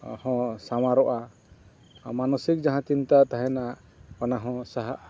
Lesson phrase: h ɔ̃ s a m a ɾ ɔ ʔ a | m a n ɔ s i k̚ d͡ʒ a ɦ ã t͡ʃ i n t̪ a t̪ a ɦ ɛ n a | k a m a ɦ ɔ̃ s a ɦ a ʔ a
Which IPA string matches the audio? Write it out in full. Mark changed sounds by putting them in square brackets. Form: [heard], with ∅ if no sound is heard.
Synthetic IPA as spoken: h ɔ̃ s a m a ɾ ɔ ʔ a | m a n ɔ s i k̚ d͡ʒ a ɦ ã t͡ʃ i n t̪ a t̪ a ɦ ɛ n a | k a [n] a ɦ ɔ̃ s a ɦ a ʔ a